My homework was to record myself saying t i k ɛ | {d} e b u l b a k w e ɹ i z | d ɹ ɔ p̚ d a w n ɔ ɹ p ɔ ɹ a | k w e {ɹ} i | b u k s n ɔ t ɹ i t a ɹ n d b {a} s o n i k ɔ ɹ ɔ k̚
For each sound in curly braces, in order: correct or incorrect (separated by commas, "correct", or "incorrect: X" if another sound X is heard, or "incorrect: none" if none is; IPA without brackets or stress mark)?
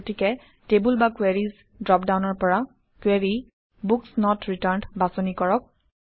incorrect: t, correct, correct